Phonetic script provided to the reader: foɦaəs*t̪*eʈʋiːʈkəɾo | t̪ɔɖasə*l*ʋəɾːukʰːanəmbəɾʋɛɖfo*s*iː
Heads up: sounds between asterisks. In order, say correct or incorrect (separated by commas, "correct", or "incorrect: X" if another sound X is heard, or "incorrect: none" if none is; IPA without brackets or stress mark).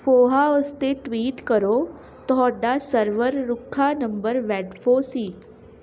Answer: correct, incorrect: ɾ, correct